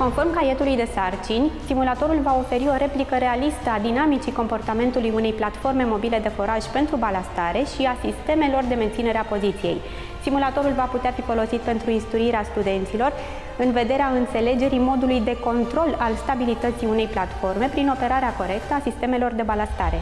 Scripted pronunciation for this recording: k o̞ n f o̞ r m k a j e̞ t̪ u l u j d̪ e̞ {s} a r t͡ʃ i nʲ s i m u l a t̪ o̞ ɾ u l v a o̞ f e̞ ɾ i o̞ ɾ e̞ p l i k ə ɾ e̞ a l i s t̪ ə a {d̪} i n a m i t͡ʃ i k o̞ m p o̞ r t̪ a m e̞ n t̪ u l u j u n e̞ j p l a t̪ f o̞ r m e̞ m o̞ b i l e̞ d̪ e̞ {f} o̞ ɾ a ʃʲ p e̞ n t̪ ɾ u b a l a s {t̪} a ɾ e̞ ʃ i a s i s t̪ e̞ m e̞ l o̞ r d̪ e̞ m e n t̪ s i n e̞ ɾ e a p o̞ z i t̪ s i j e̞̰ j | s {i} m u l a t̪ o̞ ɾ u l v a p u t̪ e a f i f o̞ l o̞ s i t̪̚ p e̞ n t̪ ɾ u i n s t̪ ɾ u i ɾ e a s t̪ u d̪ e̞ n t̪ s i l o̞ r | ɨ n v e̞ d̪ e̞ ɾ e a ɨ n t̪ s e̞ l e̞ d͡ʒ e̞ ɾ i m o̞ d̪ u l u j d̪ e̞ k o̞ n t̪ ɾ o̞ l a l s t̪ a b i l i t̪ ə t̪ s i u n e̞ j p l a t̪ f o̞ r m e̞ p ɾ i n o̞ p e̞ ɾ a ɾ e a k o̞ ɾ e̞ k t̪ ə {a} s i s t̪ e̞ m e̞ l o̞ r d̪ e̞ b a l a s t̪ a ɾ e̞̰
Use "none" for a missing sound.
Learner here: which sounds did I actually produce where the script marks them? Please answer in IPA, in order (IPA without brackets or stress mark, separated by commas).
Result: s, d̪, f, t̪, i, a